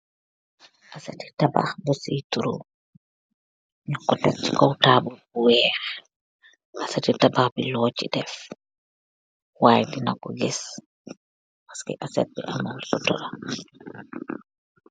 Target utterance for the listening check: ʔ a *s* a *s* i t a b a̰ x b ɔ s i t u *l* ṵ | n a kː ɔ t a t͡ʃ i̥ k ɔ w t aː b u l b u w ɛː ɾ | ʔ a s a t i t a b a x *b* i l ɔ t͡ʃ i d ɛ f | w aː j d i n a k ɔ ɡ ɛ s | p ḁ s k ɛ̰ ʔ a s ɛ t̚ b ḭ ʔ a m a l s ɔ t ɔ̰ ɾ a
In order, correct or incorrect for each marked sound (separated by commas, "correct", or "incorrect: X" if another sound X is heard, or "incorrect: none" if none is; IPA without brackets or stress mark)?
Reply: correct, incorrect: t, incorrect: ɾ, correct